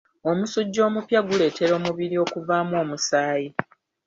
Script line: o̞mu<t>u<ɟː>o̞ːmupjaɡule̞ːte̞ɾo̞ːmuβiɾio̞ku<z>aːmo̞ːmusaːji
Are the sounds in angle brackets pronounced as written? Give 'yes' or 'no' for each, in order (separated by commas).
no, yes, no